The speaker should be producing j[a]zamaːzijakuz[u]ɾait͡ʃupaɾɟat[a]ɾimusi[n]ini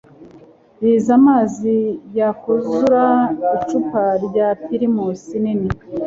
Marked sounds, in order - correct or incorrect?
incorrect: i, correct, incorrect: i, correct

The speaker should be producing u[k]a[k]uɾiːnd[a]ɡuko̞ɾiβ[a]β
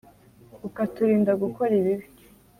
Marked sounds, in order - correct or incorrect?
correct, incorrect: t, correct, incorrect: i

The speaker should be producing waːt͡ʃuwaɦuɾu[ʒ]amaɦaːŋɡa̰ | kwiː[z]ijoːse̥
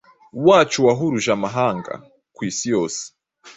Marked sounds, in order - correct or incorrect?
correct, incorrect: s

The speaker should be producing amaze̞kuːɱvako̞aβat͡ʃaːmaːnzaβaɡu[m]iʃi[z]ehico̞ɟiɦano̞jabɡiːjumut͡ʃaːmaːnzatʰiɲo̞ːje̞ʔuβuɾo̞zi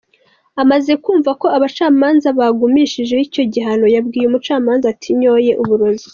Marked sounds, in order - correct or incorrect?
correct, incorrect: ʒ

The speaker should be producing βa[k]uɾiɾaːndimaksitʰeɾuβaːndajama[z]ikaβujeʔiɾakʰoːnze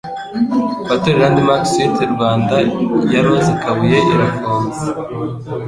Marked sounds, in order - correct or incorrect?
incorrect: t, correct

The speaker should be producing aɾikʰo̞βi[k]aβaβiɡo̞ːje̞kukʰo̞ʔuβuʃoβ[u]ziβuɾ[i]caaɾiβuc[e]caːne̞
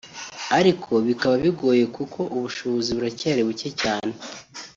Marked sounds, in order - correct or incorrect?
correct, incorrect: o, incorrect: a, correct

